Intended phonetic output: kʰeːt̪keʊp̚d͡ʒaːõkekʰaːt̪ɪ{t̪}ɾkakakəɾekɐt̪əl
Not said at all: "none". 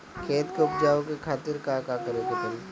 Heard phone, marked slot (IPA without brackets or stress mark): none